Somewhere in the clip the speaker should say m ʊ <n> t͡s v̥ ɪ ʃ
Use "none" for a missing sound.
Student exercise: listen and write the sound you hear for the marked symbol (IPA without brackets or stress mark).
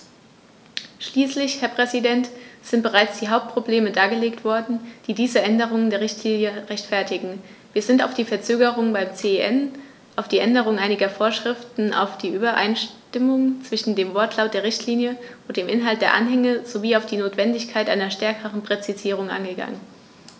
ŋ